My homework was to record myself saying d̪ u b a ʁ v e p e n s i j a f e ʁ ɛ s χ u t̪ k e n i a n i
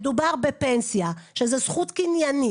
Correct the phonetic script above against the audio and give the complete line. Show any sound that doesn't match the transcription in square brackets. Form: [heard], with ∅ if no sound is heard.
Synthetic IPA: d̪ u b a ʁ [b] e p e n s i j a [ʃ] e [z] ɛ s χ u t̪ k [i] n [j] a n i